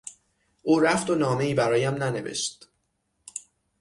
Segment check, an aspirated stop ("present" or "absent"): absent